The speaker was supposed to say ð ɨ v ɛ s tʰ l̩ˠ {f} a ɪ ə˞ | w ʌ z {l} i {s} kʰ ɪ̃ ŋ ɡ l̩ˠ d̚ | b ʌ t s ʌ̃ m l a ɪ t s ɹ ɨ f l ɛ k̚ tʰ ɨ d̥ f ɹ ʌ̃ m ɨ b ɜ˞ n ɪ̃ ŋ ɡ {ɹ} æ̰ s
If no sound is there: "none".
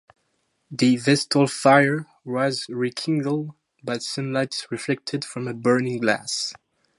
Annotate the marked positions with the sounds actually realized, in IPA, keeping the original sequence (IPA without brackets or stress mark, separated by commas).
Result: f, ɹ, none, l